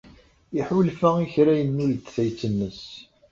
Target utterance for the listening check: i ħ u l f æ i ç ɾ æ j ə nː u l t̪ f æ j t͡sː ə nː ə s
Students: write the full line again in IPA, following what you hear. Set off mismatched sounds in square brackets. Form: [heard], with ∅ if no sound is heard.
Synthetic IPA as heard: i ħ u l f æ i ç ɾ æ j ə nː u l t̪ [θ] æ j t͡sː ə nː ə s